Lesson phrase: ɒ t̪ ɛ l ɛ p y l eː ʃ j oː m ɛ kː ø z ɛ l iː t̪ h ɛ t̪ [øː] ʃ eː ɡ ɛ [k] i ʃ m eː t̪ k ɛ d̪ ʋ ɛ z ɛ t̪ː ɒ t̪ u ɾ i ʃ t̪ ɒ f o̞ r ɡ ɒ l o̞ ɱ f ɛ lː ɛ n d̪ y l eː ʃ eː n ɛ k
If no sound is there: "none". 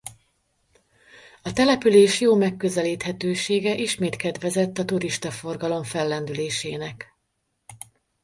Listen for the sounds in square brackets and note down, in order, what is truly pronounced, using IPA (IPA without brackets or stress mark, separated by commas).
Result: øː, ʔ